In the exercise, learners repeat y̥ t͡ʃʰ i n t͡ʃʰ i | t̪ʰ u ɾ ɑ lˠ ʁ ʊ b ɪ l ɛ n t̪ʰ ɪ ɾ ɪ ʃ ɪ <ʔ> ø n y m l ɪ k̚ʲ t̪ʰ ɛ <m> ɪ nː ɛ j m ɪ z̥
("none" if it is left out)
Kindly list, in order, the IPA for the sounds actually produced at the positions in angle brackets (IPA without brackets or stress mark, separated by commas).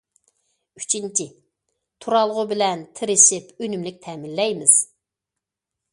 p, m